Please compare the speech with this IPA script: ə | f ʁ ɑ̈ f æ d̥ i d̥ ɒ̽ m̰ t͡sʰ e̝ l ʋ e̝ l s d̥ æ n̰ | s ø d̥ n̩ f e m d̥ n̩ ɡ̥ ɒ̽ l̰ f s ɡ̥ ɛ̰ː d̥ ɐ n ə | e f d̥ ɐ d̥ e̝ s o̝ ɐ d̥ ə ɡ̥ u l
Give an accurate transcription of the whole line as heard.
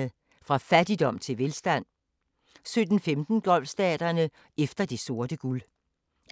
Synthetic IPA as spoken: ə | f ʁ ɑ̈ f æ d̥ i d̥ ɒ̽ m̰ t͡sʰ e̝ l ʋ e̝ l s d̥ æ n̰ | s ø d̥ n̩ f e m d̥ n̩ ɡ̥ ɒ̽ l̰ f s d̥ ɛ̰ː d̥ ɐ n ə | e f d̥ ɐ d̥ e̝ s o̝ ɐ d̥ ə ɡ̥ u l